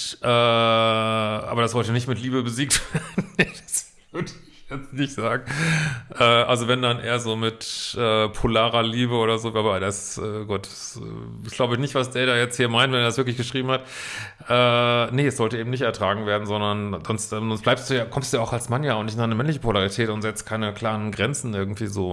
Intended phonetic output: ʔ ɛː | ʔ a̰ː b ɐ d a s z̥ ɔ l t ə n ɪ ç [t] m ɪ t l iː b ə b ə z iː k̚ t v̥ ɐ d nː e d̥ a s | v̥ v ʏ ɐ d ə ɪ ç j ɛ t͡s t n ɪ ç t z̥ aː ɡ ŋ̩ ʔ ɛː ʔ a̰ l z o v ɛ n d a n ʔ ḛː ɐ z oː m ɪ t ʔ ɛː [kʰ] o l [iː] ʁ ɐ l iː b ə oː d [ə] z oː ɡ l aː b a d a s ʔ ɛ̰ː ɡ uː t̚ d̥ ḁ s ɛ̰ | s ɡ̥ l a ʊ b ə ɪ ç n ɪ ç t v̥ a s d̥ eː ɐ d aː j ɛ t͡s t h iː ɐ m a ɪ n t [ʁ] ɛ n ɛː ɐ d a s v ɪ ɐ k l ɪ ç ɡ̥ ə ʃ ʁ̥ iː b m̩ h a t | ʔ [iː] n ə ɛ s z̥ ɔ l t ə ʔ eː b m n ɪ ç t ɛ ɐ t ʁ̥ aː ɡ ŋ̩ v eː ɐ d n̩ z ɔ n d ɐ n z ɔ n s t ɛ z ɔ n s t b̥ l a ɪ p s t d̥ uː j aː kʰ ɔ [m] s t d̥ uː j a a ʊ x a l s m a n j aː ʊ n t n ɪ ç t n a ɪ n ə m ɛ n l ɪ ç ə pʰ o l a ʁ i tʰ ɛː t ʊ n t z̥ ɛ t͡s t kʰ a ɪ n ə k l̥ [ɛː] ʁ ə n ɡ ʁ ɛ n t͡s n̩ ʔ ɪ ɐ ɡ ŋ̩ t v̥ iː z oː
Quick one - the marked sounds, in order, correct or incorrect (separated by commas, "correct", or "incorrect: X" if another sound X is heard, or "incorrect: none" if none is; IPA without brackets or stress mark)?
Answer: correct, incorrect: pʰ, incorrect: aː, incorrect: ɐ, incorrect: v, incorrect: ɛː, correct, incorrect: aː